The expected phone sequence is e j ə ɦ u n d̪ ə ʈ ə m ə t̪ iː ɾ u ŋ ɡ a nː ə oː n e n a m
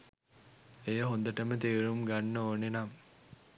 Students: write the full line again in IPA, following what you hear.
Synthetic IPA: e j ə ɦ o n d̪ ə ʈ ə m ə t̪ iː ɾ u m ɡ a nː ə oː n e n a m